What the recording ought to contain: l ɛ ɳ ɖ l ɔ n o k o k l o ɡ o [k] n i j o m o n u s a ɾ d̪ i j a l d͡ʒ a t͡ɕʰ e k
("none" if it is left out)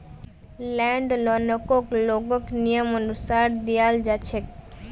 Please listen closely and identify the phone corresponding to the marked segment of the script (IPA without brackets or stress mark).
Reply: k